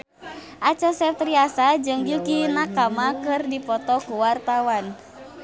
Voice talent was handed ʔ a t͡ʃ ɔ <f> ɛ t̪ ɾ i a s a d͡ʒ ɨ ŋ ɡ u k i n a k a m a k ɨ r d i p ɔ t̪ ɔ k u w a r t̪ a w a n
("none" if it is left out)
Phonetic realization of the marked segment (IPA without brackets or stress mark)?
s